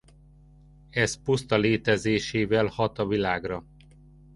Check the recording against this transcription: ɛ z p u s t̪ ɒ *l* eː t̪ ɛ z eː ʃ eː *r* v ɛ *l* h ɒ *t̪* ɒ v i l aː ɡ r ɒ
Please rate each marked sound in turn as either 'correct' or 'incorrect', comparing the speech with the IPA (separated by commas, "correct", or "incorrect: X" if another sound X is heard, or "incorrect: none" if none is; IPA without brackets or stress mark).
correct, incorrect: none, correct, correct